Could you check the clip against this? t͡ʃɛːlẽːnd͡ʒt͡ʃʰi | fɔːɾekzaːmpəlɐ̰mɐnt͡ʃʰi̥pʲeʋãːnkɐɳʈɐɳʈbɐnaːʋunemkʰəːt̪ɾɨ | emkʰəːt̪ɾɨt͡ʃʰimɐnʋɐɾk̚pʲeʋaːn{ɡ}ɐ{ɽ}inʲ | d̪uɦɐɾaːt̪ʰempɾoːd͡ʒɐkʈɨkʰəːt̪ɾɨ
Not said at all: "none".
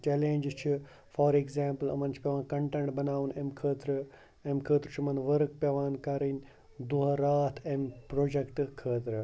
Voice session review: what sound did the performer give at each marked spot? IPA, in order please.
k, ɾ

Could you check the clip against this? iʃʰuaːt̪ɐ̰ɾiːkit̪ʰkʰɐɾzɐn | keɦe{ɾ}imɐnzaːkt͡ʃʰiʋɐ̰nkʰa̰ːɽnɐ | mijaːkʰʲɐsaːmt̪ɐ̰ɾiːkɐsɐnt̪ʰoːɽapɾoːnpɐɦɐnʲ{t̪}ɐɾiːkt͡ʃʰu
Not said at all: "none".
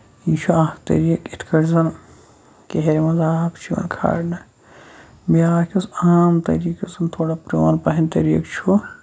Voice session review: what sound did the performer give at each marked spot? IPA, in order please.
ɾ, t̪

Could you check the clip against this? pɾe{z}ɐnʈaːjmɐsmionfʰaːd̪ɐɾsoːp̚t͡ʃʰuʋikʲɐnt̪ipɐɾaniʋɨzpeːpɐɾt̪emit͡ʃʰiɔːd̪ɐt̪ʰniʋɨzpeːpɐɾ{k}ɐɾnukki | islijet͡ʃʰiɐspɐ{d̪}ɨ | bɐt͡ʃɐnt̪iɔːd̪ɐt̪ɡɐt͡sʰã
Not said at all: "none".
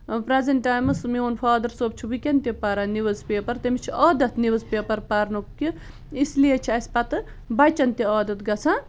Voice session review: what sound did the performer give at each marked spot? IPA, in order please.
z, p, t̪

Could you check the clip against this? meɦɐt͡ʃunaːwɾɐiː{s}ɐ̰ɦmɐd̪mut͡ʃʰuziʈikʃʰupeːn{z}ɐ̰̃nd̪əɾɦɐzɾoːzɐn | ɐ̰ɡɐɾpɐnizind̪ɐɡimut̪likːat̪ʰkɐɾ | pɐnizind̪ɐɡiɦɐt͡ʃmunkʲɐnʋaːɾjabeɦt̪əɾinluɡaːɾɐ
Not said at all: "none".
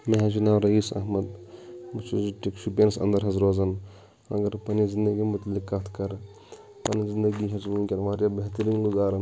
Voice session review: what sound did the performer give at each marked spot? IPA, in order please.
s, s

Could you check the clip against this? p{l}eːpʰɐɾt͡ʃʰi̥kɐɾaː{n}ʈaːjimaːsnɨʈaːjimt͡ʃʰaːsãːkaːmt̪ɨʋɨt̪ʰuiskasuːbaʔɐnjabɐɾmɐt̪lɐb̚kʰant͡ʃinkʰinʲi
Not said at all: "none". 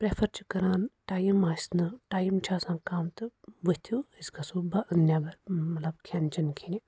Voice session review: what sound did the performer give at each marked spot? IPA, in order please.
ɾ, n

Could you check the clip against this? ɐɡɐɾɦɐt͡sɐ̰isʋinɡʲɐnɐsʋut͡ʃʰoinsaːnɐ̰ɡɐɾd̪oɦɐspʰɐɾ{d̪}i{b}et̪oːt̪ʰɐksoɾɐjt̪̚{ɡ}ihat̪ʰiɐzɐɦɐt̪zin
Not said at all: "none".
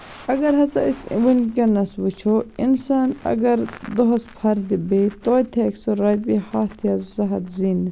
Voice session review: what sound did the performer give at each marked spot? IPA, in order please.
d̪, b, b

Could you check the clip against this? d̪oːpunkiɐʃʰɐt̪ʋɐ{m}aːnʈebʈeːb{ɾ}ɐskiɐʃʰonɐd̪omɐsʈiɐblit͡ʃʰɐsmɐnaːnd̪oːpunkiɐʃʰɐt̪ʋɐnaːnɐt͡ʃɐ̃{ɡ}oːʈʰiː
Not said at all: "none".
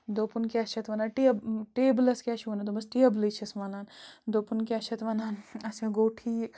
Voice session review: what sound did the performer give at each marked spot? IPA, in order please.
n, l, ɡ

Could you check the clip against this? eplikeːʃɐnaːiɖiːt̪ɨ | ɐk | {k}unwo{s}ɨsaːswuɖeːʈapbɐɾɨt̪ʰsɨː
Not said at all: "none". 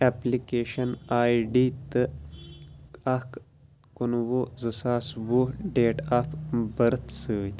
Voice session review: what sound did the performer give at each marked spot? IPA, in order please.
k, z

